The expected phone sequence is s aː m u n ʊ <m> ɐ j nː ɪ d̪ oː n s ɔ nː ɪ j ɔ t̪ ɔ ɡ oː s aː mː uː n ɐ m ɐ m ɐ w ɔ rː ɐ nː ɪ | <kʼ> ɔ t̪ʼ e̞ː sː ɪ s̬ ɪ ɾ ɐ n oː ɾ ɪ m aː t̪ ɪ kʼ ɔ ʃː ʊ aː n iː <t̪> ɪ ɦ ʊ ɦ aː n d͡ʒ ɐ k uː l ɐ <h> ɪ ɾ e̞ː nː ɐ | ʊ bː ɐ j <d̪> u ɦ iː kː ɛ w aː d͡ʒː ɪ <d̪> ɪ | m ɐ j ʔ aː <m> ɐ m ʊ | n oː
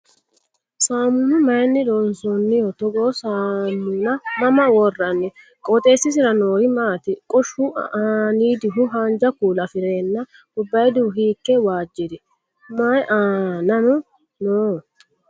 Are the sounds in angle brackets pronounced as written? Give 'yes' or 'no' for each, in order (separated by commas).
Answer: yes, yes, no, no, yes, yes, no